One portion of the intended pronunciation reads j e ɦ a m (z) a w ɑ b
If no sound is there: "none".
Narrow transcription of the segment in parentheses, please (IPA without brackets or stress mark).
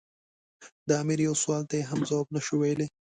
z